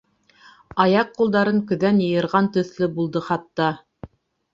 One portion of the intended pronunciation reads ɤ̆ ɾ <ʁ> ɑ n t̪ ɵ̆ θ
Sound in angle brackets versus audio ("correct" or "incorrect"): correct